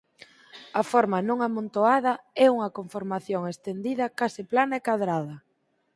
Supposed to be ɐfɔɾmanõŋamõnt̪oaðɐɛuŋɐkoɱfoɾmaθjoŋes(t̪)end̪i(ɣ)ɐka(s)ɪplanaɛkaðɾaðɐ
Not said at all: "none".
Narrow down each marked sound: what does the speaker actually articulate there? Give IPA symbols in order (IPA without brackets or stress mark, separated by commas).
t̪, ð, s